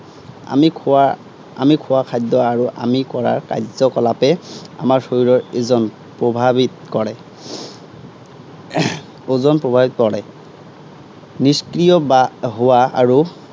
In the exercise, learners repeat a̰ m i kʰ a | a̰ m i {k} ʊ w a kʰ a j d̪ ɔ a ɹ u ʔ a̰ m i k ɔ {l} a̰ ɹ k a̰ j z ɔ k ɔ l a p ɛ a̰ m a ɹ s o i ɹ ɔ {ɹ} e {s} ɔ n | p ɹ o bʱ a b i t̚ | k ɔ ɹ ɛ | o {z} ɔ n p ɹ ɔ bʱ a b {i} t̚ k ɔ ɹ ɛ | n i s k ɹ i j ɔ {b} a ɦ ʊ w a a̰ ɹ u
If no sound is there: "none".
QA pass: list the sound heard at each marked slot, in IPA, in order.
kʰ, ɹ, ɹ, z, z, i, b

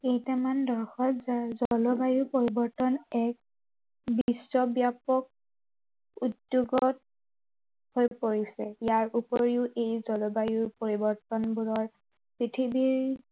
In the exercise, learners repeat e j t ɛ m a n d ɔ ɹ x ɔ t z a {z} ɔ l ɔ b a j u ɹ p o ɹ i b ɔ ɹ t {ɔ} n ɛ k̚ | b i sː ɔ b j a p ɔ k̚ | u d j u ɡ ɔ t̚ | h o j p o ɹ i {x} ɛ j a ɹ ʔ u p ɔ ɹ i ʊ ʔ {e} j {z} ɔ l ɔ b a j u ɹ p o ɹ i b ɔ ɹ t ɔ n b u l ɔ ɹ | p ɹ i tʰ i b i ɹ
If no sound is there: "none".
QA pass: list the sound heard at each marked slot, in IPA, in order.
z, ɔ, s, e, z

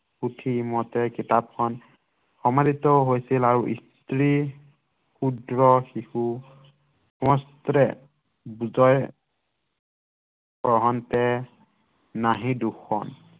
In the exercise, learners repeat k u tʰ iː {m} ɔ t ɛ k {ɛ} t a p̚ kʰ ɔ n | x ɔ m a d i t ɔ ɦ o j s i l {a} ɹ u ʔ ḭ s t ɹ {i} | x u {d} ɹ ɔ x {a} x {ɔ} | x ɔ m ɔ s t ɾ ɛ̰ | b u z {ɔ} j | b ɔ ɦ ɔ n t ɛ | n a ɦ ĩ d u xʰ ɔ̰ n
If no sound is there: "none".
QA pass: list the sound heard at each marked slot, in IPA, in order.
m, i, a, i, d, i, u, ɔ

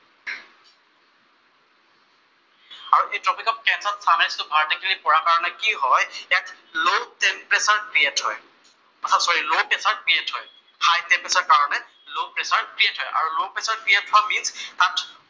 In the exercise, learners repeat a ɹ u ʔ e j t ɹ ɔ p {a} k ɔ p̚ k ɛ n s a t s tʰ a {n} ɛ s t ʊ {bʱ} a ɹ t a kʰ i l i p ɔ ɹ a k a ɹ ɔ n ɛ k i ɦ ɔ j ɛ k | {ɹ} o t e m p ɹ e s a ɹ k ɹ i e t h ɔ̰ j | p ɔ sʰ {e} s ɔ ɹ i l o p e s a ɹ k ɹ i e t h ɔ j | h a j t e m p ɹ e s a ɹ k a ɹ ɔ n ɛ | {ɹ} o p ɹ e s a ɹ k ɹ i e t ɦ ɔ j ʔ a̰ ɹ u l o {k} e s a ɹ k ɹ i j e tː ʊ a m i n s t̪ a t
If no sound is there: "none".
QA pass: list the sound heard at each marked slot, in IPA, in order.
i, n, bʱ, l, a, l, p

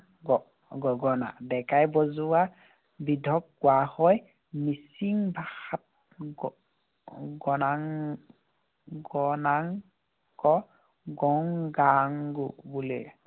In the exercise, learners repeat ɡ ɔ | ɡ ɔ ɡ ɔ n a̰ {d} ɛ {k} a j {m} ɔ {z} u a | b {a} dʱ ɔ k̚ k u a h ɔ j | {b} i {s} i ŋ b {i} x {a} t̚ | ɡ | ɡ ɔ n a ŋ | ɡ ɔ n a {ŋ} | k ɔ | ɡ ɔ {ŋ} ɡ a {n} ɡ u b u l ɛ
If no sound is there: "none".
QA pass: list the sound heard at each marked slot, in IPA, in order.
d, k, b, z, i, m, s, a, a, ŋ, ŋ, ŋ

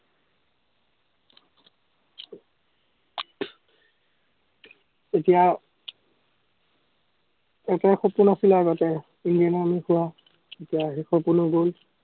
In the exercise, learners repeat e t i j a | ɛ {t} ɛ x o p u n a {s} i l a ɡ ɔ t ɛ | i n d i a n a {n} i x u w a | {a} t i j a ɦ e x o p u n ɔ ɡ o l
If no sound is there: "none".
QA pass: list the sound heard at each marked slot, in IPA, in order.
t, s, m, e

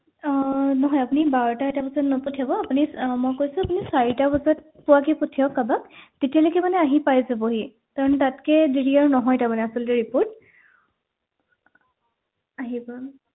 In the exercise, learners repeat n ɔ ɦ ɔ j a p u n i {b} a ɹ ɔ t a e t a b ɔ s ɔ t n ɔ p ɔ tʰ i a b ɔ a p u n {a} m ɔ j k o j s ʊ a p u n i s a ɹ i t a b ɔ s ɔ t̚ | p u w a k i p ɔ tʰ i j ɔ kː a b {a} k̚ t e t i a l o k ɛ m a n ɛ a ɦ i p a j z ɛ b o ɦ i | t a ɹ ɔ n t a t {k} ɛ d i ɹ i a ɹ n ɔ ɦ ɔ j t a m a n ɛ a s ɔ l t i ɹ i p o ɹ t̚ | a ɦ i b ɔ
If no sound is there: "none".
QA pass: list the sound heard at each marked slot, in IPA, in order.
b, i, a, k

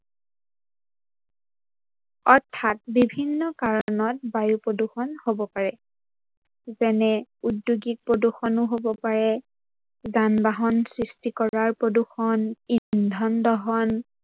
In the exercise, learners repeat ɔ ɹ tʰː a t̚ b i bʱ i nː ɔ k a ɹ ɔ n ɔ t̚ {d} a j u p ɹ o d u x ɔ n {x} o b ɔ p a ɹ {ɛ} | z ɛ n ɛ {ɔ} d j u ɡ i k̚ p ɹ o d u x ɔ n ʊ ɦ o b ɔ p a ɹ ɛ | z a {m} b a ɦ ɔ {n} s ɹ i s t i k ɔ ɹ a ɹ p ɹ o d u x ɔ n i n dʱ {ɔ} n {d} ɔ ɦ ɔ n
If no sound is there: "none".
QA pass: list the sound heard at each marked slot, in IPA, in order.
b, h, ɛ, u, n, n, ɔ, d

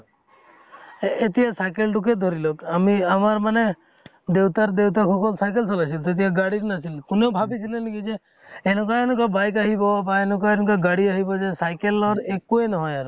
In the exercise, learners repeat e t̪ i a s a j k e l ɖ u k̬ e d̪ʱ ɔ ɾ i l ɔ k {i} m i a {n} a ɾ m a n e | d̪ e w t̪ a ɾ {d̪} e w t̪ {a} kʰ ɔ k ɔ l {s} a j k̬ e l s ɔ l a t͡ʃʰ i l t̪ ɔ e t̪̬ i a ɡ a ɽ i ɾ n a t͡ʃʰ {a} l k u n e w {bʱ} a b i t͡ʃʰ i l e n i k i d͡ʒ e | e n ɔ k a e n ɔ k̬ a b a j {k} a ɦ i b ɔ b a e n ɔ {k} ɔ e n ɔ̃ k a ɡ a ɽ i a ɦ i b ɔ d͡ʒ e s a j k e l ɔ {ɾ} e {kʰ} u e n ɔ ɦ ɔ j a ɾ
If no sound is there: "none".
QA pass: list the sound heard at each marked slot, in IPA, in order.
a, m, d̪, a, s, i, bʱ, k, k, ɾ, k

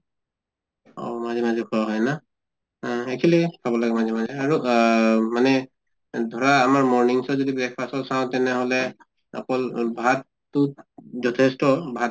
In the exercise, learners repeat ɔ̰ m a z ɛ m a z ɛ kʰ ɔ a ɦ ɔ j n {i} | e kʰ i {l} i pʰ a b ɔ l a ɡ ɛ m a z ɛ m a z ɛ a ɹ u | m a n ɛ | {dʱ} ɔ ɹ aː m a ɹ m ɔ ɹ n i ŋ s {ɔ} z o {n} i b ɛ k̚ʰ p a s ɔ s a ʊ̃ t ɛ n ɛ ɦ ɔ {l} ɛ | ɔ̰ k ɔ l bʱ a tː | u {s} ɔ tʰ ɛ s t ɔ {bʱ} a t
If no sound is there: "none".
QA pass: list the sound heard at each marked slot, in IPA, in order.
a, l, dʱ, ɔ, d, l, z, bʱ

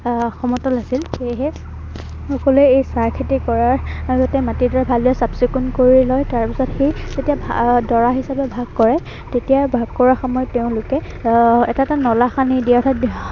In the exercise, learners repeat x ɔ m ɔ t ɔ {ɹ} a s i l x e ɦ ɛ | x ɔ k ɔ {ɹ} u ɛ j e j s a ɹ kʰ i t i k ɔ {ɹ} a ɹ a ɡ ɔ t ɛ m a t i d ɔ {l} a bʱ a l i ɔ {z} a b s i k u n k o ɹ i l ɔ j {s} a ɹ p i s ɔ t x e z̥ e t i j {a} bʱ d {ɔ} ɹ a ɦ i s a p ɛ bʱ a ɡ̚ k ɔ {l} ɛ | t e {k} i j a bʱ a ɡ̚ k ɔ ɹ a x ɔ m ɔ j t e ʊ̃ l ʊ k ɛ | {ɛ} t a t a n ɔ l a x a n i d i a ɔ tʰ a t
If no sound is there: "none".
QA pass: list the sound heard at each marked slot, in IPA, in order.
l, l, ɹ, ɹ, s, t, a, ɔ, ɹ, t, ɛ

